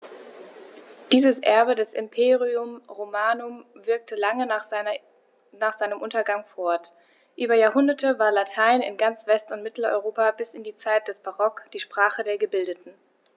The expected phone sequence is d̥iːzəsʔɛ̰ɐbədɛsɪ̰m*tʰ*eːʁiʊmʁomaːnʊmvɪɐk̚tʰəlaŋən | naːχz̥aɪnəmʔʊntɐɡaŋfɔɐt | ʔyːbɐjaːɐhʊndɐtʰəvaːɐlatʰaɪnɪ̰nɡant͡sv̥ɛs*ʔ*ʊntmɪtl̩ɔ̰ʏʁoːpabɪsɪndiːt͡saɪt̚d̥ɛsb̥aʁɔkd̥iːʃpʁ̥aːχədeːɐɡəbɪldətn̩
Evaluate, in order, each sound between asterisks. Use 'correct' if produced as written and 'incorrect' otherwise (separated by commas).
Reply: incorrect, incorrect